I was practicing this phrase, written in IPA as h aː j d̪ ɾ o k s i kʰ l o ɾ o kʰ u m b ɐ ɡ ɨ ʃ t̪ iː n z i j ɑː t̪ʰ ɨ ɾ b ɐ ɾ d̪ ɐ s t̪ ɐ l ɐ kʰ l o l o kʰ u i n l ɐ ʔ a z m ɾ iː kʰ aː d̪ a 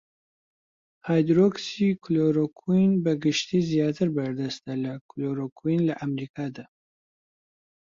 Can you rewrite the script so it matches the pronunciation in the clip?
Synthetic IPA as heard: h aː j d̪ ɾ o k s i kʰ l o ɾ o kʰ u n b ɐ ɡ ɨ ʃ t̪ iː z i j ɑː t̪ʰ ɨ ɾ b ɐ ɾ d̪ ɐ s t̪ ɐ l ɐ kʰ l o ɾ o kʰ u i n l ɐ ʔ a m ɾ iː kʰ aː d̪ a